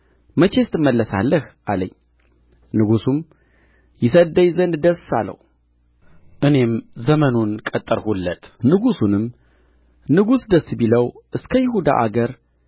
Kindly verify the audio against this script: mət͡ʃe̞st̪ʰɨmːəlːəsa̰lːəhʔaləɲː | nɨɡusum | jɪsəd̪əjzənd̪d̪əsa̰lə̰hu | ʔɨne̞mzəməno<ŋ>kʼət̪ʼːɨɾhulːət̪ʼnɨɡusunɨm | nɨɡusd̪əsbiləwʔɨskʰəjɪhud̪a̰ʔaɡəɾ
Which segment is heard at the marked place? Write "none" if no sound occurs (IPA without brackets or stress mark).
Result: n